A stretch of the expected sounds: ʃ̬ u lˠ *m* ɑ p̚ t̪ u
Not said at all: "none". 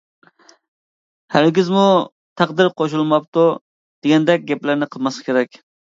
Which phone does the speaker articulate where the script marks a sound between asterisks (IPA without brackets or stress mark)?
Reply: m